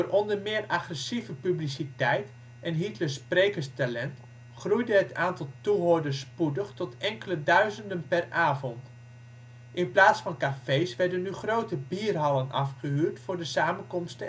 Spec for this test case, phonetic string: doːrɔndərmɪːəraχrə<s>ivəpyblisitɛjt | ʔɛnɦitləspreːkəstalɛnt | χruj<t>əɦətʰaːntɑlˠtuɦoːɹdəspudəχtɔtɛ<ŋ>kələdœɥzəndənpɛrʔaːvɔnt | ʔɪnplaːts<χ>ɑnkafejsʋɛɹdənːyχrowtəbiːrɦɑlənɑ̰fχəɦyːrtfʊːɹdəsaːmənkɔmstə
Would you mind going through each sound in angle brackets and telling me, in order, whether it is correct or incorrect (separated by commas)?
correct, incorrect, correct, incorrect